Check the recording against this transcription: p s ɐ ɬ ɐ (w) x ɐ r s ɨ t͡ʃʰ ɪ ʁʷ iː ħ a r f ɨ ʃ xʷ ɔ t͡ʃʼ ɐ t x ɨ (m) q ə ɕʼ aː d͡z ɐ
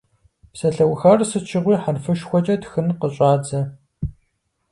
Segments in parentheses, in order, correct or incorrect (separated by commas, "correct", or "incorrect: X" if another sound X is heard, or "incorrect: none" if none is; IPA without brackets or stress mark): correct, incorrect: n